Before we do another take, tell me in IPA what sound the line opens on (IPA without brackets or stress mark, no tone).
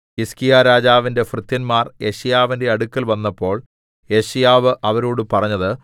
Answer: i